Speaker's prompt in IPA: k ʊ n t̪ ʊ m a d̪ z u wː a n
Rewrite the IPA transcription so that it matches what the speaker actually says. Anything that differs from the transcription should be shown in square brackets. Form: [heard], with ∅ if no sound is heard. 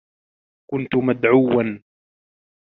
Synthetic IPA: k ʊ n t̪ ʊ m a d̪ [ʕ] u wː a n